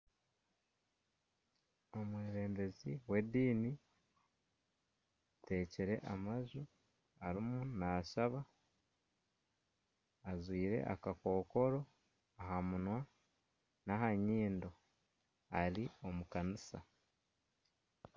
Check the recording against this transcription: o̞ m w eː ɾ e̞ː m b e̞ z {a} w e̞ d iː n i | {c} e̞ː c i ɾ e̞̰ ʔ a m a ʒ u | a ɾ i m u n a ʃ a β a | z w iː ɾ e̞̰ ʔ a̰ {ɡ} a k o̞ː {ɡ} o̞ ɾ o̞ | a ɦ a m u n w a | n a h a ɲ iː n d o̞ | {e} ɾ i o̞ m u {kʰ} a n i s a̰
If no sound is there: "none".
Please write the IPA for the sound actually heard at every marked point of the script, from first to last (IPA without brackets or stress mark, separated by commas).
i, t, k, k, a, k